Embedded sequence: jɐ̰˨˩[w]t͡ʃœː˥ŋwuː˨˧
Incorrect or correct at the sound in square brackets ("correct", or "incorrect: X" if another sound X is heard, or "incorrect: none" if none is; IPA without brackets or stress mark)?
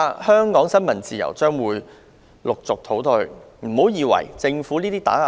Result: correct